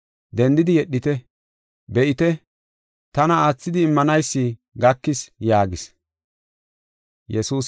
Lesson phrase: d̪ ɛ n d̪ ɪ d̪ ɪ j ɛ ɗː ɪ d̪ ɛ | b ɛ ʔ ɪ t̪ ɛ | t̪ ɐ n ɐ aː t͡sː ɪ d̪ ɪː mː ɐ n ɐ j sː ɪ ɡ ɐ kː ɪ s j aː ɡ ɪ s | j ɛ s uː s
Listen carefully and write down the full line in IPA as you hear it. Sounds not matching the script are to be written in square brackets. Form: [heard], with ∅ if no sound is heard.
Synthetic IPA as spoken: d̪ ɛ n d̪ ɪ d̪ ɪ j ɛ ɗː ɪ [t̪] ɛ | b ɛ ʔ ɪ t̪ ɛ | t̪ ɐ n ɐ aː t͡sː ɪ d̪ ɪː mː ɐ n ɐ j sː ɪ ɡ ɐ kː ɪ s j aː ɡ ɪ s | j ɛ s uː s